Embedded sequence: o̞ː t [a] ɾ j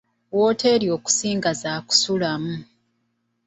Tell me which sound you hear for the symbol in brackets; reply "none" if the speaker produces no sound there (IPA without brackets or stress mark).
e